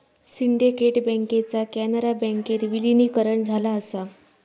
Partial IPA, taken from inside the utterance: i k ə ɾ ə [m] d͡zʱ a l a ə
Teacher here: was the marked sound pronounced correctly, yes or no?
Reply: no